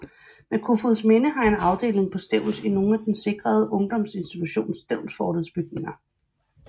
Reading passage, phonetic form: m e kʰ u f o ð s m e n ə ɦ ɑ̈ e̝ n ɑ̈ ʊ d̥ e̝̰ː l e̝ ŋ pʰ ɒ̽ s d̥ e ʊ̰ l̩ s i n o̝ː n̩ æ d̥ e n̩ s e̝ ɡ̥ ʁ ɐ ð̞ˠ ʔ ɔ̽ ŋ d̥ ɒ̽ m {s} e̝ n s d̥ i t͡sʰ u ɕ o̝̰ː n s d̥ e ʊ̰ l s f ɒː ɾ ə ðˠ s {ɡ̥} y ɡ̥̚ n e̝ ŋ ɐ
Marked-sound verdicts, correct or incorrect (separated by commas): correct, incorrect